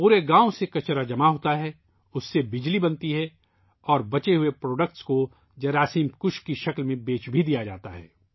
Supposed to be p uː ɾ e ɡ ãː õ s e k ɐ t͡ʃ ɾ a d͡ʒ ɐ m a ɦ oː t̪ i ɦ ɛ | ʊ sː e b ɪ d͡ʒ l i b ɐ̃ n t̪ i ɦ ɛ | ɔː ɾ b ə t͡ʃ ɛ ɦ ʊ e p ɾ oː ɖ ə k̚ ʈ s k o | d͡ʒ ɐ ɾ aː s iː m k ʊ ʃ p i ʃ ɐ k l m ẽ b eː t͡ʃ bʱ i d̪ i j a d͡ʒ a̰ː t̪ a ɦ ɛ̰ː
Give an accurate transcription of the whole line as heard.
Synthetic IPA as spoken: p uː ɾ e ɡ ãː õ s e k ɐ t͡ʃ ɾ a d͡ʒ ɐ m a ɦ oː t̪ a ɦ ɛ | ʊ sː e b ɪ d͡ʒ l i b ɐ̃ n t̪ i ɦ ɛ | ɔː ɾ b ɐ t͡ʃ e ɦ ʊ e p ɾ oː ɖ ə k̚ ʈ s k o | d͡ʒ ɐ ɾ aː s iː m k ʊ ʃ k i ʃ ɐ k l m ẽ b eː t͡ʃ bʱ i d̪ i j a d͡ʒ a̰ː t̪ a ɦ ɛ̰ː